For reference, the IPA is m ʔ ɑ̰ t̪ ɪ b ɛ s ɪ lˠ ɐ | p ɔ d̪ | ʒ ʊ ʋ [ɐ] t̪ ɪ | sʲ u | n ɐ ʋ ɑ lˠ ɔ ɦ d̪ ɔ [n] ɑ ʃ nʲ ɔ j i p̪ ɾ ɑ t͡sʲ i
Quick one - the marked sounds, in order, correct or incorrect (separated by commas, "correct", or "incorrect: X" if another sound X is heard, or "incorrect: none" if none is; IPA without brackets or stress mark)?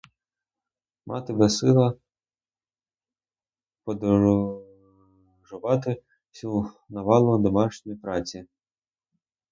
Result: incorrect: ɑ, incorrect: m